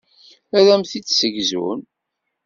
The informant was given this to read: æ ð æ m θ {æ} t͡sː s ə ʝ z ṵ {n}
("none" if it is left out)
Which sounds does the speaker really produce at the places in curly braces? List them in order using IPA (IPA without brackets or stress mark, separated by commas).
i, n